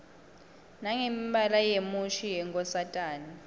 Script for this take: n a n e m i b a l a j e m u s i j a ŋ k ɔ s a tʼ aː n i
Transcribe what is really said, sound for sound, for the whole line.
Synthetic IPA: n a ŋ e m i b a l a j e m u ʃ i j ɛ ŋ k ɔ s a tʼ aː n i